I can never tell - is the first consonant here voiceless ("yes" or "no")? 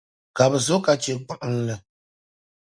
yes